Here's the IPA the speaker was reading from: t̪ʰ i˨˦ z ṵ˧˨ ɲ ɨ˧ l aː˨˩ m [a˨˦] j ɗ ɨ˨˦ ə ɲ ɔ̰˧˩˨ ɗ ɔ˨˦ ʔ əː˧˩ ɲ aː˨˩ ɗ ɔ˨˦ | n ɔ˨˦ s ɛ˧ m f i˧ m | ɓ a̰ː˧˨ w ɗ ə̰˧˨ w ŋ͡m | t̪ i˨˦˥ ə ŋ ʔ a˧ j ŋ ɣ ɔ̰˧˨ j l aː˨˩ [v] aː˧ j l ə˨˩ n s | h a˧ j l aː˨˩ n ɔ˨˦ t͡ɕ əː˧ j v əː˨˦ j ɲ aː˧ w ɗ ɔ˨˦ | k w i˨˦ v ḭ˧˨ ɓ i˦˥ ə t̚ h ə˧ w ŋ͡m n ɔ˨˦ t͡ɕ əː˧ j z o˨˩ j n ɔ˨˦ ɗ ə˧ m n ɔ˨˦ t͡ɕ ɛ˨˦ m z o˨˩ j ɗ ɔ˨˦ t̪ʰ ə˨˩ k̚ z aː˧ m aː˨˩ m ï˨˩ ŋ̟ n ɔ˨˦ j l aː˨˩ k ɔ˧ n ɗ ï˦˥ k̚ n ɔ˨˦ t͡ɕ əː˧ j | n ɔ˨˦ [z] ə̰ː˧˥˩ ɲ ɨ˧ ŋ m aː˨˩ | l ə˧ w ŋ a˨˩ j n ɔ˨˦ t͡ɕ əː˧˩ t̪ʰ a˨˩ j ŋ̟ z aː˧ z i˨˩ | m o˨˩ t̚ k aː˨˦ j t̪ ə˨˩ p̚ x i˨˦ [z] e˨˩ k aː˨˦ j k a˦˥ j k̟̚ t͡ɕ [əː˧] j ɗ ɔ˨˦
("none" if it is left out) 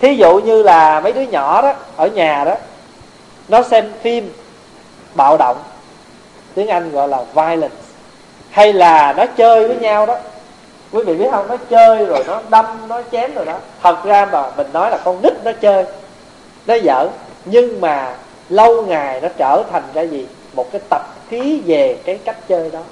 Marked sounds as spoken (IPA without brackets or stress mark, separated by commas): ə˨˦, v, z, v, əː˧